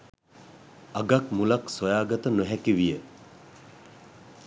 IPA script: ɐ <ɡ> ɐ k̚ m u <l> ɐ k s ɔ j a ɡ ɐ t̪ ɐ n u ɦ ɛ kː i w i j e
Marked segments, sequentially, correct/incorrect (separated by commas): correct, correct